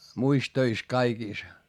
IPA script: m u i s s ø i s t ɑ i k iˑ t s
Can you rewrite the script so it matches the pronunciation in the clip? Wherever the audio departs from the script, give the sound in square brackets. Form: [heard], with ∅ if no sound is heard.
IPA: m u i s [t] ø i s [k] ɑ i k iˑ [∅] s